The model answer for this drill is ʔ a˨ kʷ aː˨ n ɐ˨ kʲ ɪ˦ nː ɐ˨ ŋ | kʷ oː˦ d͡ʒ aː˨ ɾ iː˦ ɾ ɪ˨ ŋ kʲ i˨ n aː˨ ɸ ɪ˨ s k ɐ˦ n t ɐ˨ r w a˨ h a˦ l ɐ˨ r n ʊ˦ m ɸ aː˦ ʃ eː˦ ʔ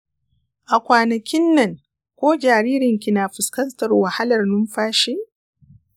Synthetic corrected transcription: ʔ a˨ kʷ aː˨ n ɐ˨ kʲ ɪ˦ nː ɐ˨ ŋ | kʷ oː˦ d͡ʒ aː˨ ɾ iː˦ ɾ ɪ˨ ŋ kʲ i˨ n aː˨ ɸ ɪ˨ s k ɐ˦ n t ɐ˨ r w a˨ h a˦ l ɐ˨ r n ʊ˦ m ɸ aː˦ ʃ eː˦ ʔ